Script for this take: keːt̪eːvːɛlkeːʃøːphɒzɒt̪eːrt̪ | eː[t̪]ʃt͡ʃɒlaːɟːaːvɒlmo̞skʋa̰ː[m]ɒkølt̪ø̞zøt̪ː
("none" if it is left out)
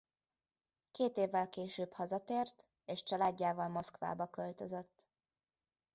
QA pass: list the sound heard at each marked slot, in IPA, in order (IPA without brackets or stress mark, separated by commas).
none, b